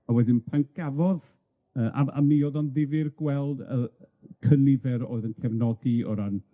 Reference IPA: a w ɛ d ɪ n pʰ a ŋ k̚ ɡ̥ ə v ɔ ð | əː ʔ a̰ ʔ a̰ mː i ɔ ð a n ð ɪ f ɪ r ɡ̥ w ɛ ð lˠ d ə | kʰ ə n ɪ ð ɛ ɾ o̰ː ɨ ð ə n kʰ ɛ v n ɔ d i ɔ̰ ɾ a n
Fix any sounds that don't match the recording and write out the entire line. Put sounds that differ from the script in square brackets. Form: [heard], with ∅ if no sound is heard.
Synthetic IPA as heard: a w ɛ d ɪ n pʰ a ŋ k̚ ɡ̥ [a] v ɔ ð | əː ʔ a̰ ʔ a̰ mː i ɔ ð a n ð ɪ [v] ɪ r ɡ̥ w ɛ [∅] lˠ d ə | kʰ ə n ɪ [v] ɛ ɾ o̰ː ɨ ð ə n kʰ ɛ v n ɔ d i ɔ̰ ɾ a n